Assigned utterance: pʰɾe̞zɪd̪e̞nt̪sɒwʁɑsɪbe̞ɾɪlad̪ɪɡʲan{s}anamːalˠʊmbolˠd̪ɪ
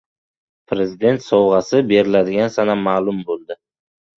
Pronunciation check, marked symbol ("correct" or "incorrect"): correct